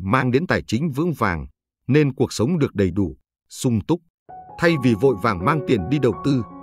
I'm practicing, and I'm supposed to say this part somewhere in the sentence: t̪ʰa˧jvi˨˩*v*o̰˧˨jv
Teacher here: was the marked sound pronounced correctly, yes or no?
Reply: yes